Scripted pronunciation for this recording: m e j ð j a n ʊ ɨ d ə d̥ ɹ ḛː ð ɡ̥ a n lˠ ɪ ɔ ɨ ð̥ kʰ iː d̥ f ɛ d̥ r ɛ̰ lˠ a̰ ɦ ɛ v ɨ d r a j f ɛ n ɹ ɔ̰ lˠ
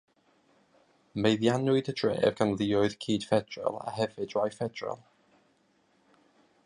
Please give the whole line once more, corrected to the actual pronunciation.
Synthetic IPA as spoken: m e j ð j a n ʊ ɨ d ə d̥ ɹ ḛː v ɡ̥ a n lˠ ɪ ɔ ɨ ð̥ kʰ iː d̥ f ɛ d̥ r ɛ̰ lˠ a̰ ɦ ɛ v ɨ d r a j f ɛ d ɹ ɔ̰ lˠ